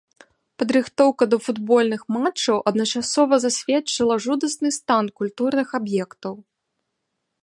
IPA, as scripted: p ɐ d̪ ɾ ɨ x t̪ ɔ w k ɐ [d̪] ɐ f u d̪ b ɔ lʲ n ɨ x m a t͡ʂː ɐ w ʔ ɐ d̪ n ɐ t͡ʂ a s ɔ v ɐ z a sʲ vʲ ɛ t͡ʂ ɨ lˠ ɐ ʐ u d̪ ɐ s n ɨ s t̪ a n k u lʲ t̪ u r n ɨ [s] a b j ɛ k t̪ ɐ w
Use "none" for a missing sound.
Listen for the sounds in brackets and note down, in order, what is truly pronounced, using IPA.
d̪, x

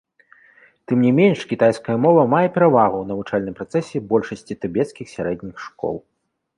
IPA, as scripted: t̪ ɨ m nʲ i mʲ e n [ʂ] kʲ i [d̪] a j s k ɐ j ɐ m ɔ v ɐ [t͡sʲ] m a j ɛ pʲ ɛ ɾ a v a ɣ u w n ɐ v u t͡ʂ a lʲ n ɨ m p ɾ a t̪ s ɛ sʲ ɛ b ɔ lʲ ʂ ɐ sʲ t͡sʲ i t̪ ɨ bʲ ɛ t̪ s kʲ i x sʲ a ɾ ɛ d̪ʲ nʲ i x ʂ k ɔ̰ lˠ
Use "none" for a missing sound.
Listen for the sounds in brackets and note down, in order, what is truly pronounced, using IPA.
ʂ, t̪, none

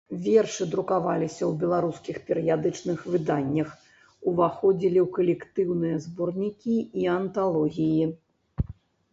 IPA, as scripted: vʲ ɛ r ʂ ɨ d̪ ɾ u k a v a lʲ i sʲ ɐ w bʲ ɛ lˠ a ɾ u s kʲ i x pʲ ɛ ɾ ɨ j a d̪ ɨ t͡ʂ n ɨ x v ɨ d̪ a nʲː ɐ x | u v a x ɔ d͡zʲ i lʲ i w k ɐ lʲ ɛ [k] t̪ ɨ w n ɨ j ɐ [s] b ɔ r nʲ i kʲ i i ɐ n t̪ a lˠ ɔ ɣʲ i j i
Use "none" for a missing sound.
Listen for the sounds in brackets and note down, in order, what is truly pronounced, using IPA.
k, z

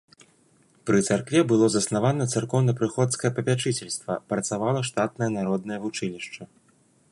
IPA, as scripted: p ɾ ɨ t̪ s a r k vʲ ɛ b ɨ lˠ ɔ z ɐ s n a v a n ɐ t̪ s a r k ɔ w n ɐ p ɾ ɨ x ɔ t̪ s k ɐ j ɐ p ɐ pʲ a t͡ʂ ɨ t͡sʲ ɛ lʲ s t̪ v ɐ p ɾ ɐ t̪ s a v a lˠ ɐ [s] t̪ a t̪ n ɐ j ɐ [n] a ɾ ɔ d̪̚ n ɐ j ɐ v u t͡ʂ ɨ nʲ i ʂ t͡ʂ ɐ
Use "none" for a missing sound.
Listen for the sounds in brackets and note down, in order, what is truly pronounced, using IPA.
ʂ, n

